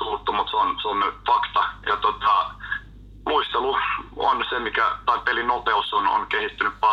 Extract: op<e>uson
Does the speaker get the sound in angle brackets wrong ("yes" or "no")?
no